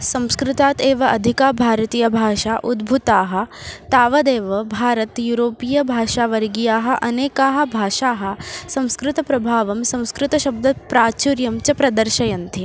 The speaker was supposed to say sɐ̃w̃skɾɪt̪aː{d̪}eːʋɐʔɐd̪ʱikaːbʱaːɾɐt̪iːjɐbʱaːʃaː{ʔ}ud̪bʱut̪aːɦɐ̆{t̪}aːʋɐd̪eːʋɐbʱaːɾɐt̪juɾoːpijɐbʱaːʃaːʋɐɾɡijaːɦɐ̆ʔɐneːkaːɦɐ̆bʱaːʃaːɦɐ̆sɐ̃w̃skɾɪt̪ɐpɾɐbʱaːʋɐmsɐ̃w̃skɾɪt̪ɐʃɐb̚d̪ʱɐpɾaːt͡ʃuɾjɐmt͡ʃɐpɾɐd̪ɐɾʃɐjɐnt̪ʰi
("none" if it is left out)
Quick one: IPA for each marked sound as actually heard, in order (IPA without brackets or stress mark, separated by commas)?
t̪, ʔ, t̪